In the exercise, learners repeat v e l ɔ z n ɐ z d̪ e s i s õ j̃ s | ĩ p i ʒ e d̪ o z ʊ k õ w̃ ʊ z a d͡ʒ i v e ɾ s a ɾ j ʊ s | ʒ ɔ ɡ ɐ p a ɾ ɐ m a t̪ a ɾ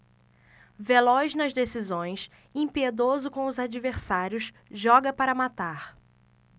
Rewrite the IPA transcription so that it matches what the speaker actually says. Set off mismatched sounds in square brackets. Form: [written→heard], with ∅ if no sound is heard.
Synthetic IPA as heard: v e l ɔ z n ɐ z d̪ e s i [s→z] õ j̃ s | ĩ p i [ʒ→∅] e d̪ o z ʊ k õ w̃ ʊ z a d͡ʒ i v e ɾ s a ɾ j ʊ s | ʒ ɔ ɡ ɐ p a ɾ ɐ m a t̪ a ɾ